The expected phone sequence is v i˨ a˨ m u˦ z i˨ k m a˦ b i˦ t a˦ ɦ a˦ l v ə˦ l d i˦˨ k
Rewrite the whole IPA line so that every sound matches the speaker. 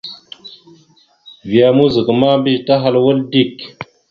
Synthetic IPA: v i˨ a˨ m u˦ z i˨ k m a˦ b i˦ t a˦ ɦ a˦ l w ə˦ l d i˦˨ k